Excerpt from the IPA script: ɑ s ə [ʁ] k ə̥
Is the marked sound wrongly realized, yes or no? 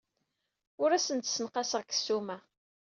no